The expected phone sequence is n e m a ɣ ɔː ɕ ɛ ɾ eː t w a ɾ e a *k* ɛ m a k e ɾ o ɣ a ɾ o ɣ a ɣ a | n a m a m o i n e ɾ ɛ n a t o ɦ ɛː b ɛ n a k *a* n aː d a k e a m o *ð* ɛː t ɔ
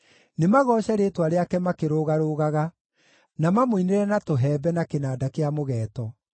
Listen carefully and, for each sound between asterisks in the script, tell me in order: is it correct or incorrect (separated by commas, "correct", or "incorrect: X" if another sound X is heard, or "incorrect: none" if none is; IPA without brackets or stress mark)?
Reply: correct, incorrect: e, incorrect: ɣ